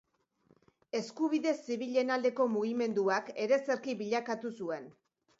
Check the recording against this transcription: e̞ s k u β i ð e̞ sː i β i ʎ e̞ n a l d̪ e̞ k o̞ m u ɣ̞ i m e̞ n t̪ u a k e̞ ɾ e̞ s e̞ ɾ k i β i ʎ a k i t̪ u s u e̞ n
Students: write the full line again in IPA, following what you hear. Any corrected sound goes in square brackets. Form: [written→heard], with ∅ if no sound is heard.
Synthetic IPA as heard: e̞ s k u β i ð e̞ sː i β i ʎ e̞ n a l d̪ e̞ k o̞ m u ɣ̞ i m e̞ n [t̪→d̪] u a k e̞ ɾ e̞ s e̞ ɾ k i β i ʎ a k [i→a] t̪ u s u e̞ n